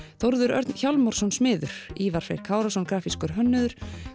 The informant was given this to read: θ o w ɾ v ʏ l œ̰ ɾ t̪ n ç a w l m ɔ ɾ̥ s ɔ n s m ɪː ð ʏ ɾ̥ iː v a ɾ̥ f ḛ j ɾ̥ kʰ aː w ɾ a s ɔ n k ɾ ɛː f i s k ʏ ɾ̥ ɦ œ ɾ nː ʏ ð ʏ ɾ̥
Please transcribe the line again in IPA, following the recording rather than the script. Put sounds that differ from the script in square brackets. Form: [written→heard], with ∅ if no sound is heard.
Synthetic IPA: θ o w ɾ [v→ð] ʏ [l→ɾ] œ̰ ɾ t̪ n ç a w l m ɔ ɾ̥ s ɔ n s m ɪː ð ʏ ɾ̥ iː v a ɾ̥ f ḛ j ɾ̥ kʰ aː w ɾ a s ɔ n k ɾ [ɛː→aː] f i s k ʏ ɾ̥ ɦ œ [ɾ→∅] nː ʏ ð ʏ ɾ̥